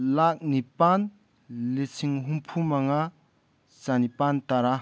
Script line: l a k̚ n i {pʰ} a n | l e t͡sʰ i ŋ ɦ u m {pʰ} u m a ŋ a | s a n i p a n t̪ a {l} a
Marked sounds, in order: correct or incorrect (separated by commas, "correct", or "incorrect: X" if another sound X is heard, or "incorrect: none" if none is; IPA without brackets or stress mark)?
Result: incorrect: p, correct, incorrect: ɾ